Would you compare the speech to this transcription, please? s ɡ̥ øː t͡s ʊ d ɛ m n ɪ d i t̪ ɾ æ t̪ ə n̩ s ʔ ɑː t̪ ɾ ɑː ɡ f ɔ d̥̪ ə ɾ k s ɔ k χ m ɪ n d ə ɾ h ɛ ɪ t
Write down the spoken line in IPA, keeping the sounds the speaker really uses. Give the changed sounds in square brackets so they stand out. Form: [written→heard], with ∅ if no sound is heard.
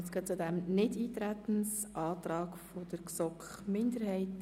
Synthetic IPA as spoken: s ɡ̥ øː t͡s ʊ d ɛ m n ɪ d [i→iː] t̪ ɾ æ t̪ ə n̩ s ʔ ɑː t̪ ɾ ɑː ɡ f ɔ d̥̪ ə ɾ k s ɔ k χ m ɪ n d ə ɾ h ɛ ɪ t